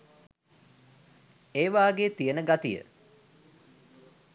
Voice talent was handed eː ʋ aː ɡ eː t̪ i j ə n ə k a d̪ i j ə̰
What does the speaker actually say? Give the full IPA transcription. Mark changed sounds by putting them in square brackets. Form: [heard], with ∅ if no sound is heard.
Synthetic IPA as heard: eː ʋ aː ɡ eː t̪ i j ə n ə [ɡ] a [t̪] i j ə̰